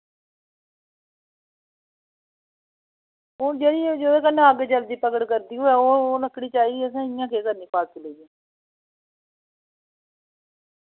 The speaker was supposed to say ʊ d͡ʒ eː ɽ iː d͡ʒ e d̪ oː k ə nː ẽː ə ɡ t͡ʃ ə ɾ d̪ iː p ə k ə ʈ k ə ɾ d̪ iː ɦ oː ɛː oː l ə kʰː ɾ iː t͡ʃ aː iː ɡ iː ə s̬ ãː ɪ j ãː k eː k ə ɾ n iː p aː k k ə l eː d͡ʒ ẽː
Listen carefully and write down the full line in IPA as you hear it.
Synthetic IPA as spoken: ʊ d͡ʒ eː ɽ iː d͡ʒ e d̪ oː k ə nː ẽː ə ɡ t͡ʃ ə l d̪ iː p ə k ə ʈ k ə ɾ d̪ iː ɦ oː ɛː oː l ə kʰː ɽ iː t͡ʃ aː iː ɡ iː ə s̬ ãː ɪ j ãː k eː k ə ɾ n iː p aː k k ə l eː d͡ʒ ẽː